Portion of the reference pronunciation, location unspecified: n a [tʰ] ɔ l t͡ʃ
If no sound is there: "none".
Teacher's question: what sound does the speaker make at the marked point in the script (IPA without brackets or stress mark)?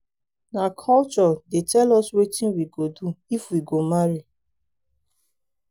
kʰ